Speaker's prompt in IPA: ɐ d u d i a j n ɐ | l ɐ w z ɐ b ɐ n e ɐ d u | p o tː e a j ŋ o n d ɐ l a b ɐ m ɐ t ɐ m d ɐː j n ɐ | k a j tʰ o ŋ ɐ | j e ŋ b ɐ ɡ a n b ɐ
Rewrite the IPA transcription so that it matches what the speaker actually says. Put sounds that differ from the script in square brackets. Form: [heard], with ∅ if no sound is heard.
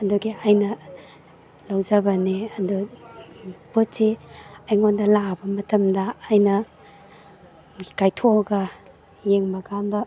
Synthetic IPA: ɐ d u [ɡ] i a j n ɐ | l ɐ w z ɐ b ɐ n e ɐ d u | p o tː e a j ŋ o n d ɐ l a b ɐ m ɐ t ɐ m d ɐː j n ɐ | k a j tʰ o [ɡ] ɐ | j e ŋ b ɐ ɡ a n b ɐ